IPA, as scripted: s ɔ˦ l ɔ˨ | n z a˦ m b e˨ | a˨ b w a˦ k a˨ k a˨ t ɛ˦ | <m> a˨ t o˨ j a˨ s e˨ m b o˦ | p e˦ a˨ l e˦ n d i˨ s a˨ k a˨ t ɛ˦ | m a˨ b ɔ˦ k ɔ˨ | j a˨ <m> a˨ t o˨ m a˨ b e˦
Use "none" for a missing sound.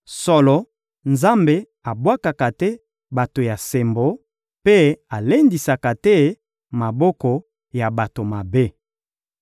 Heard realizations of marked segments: b, b

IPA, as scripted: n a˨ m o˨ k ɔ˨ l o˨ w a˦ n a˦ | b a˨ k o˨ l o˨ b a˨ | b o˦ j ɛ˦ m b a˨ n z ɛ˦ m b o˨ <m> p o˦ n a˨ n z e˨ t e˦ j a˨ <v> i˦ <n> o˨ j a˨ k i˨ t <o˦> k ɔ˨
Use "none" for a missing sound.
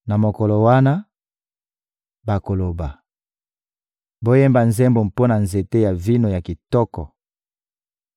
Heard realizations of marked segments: m, v, n, ɔ˦

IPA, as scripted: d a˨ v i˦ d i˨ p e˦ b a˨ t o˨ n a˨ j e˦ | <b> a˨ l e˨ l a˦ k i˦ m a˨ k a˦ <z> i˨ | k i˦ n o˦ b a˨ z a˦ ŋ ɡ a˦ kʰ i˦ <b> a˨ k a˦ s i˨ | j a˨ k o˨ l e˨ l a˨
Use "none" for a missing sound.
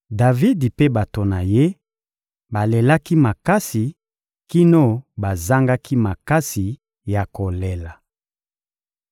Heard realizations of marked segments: b, s, m

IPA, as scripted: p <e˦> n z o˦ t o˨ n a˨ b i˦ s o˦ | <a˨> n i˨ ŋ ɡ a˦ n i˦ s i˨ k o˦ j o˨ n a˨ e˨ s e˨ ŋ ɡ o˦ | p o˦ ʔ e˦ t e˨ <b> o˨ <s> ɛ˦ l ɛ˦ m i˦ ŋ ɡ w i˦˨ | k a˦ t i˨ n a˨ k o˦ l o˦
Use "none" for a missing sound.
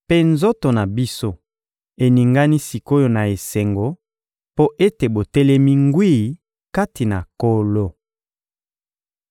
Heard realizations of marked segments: e˦, e˨, b, t

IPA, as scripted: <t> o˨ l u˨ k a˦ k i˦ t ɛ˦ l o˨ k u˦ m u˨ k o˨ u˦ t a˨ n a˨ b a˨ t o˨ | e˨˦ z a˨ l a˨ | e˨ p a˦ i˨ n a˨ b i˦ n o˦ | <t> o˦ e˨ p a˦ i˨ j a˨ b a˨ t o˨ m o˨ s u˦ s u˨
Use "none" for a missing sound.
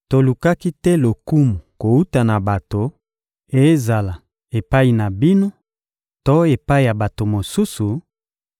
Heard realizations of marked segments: t, t

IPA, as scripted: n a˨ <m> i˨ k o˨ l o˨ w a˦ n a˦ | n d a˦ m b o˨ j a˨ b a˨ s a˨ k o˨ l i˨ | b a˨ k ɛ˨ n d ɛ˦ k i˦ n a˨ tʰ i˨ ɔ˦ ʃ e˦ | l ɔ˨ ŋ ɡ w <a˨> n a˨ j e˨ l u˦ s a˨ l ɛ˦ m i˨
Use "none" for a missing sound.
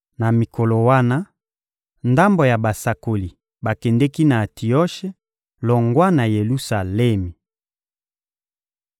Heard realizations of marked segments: m, a˦

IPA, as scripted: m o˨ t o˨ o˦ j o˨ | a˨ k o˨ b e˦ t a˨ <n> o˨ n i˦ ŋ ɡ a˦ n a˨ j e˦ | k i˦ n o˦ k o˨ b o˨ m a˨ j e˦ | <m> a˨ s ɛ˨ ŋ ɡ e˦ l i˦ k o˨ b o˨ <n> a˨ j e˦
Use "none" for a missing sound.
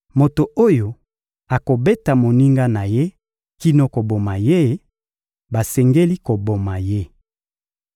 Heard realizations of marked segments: m, b, m

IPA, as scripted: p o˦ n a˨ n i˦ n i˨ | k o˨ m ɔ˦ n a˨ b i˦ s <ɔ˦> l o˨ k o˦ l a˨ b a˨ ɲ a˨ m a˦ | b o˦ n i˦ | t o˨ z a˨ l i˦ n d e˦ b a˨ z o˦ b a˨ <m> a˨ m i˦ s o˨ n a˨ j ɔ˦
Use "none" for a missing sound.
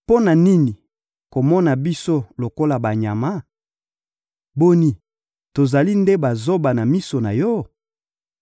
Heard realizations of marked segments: o˦, n

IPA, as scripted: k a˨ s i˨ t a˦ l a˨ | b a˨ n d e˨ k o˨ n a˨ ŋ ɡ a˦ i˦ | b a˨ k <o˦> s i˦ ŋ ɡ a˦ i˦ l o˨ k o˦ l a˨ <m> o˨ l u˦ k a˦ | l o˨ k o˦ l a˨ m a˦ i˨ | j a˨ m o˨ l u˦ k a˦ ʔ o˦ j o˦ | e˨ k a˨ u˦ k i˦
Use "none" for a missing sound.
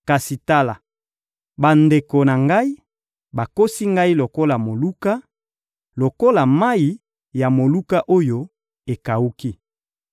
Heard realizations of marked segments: o˦, m

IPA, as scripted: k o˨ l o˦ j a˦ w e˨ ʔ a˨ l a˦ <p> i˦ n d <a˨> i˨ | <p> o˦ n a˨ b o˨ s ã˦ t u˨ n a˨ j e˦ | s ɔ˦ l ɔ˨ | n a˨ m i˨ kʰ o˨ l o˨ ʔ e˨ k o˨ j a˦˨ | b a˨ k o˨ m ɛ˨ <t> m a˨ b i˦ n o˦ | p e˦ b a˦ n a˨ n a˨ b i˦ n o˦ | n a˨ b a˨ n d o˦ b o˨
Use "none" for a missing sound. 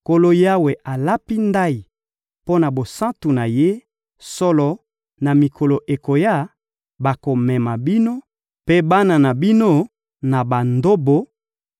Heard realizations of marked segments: p, a˦, p, none

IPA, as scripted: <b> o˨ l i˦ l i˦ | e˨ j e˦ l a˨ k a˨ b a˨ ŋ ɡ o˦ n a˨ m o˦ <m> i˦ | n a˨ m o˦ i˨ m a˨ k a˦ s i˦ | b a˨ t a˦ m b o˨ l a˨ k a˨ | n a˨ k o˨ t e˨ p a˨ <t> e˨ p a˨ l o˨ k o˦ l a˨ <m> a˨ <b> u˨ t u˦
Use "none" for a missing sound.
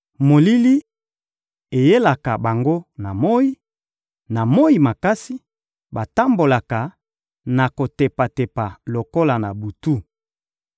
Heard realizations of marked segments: m, none, t, n, b

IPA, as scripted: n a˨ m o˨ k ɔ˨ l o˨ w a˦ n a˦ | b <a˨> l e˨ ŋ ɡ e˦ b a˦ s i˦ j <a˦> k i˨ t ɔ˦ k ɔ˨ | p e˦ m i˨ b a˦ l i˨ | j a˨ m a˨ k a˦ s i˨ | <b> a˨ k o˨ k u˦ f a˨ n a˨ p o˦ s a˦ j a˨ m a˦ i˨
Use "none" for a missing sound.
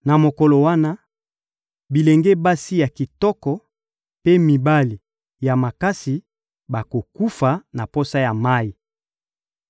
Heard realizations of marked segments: i˨, a˨, b

